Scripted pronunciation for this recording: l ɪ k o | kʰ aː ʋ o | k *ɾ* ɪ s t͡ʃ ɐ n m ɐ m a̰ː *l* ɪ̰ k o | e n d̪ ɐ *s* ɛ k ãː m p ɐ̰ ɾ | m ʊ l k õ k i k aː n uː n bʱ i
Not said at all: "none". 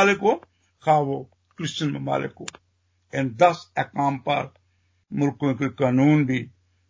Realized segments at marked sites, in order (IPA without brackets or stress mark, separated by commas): ɾ, l, s